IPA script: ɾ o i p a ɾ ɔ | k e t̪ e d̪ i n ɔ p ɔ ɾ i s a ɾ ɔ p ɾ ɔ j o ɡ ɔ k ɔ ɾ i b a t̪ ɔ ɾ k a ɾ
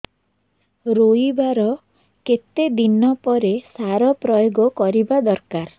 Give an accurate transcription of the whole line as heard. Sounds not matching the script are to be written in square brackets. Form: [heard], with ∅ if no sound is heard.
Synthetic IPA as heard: ɾ o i [b] a ɾ ɔ | k e t̪ e d̪ i n ɔ p ɔ ɾ [e] s a ɾ ɔ p ɾ ɔ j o ɡ ɔ k ɔ ɾ i b a [d̪] ɔ ɾ k a ɾ

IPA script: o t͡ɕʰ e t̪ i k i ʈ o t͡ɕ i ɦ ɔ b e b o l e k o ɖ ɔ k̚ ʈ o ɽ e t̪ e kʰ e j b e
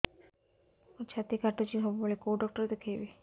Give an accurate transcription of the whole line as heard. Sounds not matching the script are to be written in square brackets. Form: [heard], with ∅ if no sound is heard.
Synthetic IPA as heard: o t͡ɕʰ [a] t̪ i k [a] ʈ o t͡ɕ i ɦ ɔ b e b o l e k o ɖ ɔ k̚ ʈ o [ɾ] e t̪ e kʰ e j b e

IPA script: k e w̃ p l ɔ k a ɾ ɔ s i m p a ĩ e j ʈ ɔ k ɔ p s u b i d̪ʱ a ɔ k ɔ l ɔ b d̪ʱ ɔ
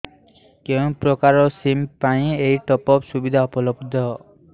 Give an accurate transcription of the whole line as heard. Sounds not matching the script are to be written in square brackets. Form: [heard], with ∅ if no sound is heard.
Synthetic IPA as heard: k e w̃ p [ɾ] ɔ k a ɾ ɔ s i m p a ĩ e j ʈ ɔ [p] ɔ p s u b i d̪ʱ a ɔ [p] ɔ l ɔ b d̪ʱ ɔ

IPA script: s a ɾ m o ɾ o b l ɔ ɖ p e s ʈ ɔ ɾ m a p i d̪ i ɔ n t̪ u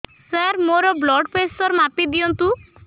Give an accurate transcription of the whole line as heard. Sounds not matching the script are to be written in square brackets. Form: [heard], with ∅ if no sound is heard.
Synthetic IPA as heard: s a ɾ m o ɾ [ɔ] b l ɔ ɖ p e s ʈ ɔ ɾ m a p i d̪ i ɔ n t̪ u

